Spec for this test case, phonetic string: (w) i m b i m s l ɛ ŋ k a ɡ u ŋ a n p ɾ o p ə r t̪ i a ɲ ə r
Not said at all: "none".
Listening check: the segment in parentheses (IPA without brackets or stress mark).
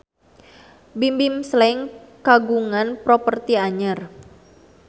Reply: b